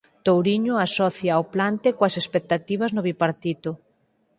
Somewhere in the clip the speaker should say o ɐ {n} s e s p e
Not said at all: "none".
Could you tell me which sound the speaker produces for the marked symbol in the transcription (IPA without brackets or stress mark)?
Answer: none